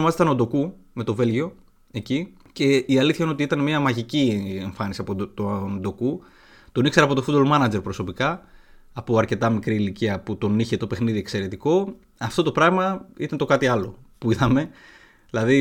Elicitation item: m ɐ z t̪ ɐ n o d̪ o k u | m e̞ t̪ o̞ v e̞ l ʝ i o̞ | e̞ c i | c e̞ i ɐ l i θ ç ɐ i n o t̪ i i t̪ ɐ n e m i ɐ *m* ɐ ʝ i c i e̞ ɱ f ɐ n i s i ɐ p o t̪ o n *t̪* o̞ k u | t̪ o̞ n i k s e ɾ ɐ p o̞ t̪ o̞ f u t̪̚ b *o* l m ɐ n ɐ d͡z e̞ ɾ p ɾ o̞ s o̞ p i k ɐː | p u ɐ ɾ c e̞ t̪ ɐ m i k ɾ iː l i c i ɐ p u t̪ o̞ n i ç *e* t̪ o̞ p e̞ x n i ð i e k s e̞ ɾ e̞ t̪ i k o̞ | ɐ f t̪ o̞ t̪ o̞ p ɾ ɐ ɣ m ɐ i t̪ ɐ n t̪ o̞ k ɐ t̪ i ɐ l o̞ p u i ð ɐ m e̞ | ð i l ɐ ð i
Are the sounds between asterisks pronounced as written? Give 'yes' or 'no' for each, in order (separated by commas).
yes, no, yes, yes